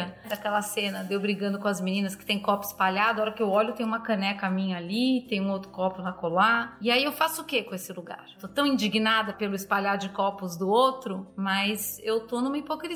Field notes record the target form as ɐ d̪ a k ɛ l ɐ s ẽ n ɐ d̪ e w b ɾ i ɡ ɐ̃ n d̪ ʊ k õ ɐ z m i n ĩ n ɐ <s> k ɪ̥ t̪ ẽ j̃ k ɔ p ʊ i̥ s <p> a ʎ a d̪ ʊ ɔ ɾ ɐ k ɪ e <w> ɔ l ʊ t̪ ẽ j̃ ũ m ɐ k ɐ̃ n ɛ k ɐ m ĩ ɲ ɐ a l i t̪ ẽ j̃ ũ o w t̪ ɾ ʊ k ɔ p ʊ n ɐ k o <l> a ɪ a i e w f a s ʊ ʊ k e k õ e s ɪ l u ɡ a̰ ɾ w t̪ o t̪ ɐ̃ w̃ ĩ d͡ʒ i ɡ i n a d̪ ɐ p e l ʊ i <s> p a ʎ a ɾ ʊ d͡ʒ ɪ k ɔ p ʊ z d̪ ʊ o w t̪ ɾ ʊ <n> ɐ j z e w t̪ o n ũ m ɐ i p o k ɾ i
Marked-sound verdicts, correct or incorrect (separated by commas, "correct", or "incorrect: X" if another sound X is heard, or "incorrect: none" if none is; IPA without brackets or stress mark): correct, correct, correct, correct, correct, incorrect: m